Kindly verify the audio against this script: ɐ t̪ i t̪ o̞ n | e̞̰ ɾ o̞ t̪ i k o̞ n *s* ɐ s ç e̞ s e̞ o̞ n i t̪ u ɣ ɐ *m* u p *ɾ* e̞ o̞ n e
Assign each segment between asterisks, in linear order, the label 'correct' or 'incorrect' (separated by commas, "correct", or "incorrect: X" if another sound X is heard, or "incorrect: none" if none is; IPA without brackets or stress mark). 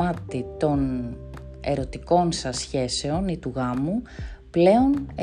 correct, correct, incorrect: l